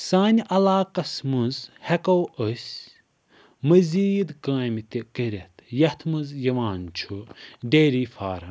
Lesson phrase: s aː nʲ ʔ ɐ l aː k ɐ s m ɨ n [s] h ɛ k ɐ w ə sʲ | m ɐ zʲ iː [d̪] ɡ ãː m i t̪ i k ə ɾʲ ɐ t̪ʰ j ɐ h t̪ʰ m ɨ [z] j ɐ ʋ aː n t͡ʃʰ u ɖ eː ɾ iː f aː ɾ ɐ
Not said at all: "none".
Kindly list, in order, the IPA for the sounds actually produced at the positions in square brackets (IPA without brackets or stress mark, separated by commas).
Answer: z, d̪, z